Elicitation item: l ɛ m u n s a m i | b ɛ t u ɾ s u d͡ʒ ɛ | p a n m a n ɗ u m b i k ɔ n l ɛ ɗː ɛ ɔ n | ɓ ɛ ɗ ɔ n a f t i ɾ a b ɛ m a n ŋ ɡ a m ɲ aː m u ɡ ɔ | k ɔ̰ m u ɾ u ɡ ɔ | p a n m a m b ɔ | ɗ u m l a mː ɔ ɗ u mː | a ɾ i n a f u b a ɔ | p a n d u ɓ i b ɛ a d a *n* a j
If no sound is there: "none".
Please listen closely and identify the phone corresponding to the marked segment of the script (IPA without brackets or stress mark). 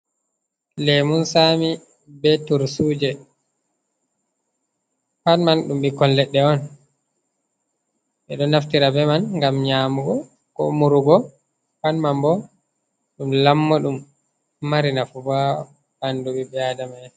m